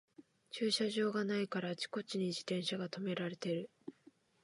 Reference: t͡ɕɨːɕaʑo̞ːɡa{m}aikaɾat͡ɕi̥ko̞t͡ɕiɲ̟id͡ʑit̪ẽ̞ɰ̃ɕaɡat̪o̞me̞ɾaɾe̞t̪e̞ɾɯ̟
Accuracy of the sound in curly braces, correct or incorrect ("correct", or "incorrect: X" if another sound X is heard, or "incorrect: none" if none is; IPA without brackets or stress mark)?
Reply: incorrect: n